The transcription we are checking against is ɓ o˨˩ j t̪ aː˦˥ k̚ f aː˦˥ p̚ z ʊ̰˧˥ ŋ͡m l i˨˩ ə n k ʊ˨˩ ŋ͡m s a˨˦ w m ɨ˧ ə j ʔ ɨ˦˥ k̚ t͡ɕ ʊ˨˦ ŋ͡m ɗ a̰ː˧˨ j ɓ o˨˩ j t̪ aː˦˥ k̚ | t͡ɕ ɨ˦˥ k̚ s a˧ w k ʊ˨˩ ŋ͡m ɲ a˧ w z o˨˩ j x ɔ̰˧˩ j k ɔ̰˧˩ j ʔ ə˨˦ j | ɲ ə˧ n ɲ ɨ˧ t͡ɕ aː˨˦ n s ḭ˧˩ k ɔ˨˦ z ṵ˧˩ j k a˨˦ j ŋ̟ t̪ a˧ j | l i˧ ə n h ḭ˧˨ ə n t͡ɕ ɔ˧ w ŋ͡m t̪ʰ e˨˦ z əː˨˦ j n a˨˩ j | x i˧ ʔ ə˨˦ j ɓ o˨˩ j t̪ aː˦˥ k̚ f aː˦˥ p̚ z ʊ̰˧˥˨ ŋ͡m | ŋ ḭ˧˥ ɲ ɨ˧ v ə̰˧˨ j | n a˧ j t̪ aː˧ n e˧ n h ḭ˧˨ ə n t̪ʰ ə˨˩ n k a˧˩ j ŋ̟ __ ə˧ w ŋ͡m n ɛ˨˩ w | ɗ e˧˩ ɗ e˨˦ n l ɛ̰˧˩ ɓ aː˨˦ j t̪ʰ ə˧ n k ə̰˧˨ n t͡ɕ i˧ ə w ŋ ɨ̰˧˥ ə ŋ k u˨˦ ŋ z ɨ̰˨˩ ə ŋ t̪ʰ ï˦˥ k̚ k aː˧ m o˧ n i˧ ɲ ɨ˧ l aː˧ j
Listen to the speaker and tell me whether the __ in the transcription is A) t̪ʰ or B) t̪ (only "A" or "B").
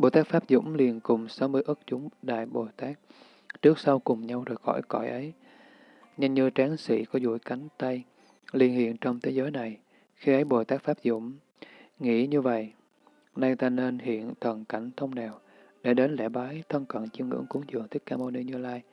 A